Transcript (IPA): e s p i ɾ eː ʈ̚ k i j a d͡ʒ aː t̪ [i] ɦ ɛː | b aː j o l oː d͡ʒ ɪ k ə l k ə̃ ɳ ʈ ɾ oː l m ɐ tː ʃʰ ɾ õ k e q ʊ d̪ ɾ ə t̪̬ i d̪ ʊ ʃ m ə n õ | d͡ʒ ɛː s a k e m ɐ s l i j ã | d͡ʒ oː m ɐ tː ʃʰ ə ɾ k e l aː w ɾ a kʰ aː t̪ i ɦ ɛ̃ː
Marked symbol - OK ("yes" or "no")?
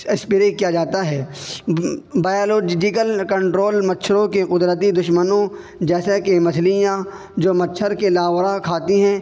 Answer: no